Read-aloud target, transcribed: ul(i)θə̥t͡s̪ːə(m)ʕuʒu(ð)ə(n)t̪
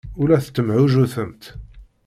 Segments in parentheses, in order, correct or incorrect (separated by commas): incorrect, correct, incorrect, incorrect